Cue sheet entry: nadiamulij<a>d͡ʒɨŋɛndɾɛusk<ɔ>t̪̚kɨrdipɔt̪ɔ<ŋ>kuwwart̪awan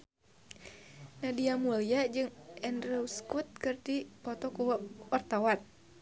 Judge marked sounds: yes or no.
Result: yes, no, no

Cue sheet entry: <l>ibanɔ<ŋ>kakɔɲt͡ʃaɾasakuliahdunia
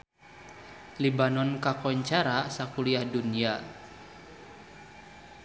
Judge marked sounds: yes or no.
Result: yes, no

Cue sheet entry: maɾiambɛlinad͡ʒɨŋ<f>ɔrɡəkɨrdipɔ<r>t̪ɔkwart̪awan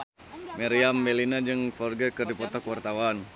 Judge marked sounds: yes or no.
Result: yes, no

